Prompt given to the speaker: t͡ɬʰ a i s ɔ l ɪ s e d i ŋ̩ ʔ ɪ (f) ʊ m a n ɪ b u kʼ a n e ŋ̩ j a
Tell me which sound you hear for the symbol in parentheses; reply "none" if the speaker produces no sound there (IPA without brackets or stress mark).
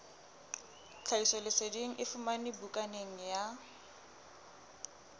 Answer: f